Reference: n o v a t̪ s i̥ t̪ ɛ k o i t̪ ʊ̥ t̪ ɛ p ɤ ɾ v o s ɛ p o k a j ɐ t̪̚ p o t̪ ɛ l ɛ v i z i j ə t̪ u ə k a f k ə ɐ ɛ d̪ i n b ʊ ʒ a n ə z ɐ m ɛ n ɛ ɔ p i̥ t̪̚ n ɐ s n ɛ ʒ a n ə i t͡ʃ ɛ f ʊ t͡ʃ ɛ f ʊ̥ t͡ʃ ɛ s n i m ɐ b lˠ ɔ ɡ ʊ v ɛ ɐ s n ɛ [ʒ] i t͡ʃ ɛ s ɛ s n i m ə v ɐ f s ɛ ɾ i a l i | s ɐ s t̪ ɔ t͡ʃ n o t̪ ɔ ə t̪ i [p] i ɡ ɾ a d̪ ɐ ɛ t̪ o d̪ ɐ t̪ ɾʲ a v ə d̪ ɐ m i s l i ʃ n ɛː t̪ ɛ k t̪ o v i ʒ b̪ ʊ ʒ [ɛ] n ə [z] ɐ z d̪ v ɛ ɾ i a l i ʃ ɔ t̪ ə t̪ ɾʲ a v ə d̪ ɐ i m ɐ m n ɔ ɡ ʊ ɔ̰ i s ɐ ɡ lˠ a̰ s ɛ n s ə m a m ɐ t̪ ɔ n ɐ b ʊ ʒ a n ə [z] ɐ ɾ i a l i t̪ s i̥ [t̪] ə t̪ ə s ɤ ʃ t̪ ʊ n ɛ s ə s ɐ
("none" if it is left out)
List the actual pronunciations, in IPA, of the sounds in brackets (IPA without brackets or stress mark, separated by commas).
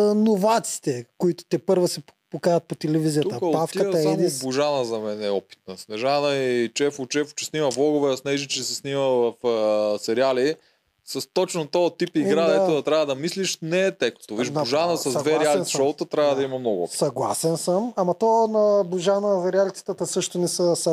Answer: ʒ, p, a, s, z, t̪